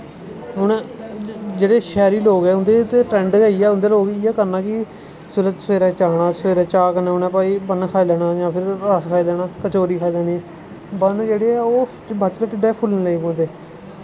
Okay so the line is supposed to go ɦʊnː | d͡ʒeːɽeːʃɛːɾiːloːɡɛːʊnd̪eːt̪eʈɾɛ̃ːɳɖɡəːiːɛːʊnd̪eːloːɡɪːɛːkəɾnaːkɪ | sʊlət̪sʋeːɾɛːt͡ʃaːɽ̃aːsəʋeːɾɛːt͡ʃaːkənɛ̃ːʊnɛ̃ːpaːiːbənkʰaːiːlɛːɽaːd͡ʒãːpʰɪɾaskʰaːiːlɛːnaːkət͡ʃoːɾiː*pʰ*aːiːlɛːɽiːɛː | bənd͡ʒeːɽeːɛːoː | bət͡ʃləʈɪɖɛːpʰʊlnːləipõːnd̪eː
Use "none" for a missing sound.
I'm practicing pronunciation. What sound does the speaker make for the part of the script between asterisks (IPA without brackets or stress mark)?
kʰ